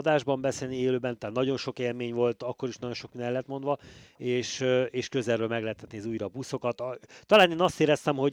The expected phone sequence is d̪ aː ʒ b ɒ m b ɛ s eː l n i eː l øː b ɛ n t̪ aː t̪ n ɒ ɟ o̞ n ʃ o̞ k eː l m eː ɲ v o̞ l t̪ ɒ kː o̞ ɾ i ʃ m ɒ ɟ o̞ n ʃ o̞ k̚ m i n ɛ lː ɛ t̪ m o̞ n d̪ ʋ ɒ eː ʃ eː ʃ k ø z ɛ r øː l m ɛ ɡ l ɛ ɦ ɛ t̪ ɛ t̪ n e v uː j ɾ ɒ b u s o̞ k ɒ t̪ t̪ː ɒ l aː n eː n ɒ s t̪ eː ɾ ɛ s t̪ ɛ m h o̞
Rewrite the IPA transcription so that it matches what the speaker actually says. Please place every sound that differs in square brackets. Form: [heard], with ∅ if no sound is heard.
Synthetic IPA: d̪ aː ʒ b ɒ m b ɛ s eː l n i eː l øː b ɛ n t̪ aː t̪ n ɒ ɟ o̞ n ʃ o̞ k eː l m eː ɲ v o̞ l t̪ ɒ kː o̞ ɾ i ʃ [n] ɒ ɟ o̞ n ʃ o̞ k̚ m i n ɛ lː ɛ t̪ m o̞ n d̪ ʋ ɒ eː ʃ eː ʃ k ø z ɛ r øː l m ɛ ɡ l ɛ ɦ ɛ t̪ ɛ t̪ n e [z] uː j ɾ ɒ b u s o̞ k ɒ t̪ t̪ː ɒ l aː n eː n ɒ s t̪ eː ɾ ɛ s t̪ ɛ m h o̞